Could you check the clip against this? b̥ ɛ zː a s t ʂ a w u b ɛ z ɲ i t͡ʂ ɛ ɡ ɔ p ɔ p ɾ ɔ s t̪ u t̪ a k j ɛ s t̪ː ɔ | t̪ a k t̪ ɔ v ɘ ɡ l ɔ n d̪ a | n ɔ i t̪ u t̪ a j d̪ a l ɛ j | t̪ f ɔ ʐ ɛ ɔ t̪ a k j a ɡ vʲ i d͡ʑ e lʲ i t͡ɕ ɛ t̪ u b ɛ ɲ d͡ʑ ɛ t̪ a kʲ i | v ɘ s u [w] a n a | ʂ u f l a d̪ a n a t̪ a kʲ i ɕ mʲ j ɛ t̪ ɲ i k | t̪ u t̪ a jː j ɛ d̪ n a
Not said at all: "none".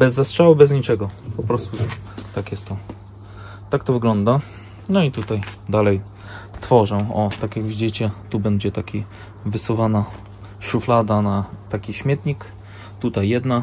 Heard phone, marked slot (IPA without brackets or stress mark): v